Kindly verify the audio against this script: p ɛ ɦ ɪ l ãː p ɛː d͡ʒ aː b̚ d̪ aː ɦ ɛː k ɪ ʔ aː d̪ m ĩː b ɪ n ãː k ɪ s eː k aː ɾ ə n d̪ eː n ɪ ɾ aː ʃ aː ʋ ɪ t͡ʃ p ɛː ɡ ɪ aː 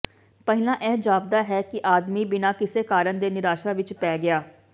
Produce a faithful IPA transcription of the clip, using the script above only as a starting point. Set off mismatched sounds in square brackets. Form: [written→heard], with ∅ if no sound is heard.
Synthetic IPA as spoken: p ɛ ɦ ɪ l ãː [p→ʔ] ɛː d͡ʒ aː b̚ d̪ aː ɦ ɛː k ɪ ʔ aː d̪ m [ĩː→iː] b ɪ n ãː k ɪ s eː k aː ɾ ə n d̪ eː n ɪ ɾ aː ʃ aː ʋ ɪ t͡ʃ p ɛː ɡ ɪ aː